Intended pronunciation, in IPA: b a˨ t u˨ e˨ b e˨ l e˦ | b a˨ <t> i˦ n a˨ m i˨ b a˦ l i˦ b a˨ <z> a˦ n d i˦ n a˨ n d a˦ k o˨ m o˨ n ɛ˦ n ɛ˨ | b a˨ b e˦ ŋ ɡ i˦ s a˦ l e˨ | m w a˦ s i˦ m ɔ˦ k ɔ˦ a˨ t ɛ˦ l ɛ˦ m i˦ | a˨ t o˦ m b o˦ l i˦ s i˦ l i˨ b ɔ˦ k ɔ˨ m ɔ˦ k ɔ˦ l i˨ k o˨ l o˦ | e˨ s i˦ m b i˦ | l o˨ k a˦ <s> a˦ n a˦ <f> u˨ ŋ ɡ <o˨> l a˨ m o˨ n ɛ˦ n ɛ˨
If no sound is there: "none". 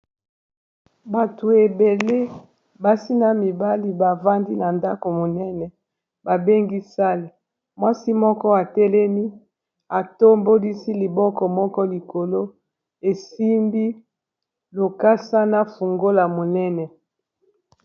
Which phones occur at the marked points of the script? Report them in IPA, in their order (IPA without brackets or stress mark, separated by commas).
s, v, s, f, o˦